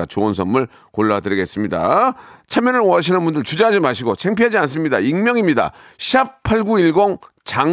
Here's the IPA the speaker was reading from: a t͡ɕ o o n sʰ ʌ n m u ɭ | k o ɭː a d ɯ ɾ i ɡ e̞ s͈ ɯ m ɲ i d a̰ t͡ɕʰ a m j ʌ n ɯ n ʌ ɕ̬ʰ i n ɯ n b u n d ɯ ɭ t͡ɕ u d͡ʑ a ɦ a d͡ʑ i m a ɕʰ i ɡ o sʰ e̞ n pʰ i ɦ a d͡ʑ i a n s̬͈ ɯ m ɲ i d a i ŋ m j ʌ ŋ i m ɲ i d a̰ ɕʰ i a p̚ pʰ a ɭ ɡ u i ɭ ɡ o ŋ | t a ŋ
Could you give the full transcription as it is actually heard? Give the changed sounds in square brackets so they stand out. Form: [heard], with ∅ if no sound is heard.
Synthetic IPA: a t͡ɕ o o n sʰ ʌ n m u ɭ | k o ɭː a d ɯ ɾ i ɡ e̞ s͈ ɯ m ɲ i d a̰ t͡ɕʰ a m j ʌ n ɯ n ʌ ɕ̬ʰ i n ɯ n b u n d ɯ ɭ t͡ɕ u d͡ʑ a ɦ a d͡ʑ i m a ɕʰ i ɡ o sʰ e̞ [ŋ] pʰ i ɦ a d͡ʑ i a n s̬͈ ɯ m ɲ i d a i ŋ m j ʌ ŋ i m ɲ i d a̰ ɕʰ i a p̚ pʰ a ɭ ɡ u i ɭ ɡ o ŋ | [t͡ɕ] a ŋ